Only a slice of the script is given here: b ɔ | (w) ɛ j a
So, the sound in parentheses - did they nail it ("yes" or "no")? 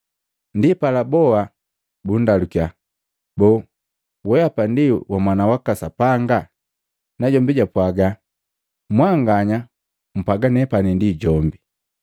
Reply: yes